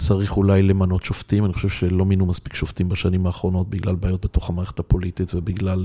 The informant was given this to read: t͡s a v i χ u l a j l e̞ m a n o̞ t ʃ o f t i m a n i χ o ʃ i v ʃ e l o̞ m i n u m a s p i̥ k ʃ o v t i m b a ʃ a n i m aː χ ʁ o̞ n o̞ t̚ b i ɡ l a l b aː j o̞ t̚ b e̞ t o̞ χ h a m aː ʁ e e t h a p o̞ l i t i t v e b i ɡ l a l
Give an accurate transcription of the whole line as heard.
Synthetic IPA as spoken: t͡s a ʁ i χ u l a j l e̞ m a n o̞ t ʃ o f t i m a n i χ o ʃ e v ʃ e l o̞ m i n u m a s p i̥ k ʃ o f t i m b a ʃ a n i m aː χ ʁ o̞ n o̞ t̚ b i ɡ l a l b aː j o̞ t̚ b e̞ t o̞ χ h a m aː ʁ e e t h a p o̞ l i t i t v e b i ɡ l a l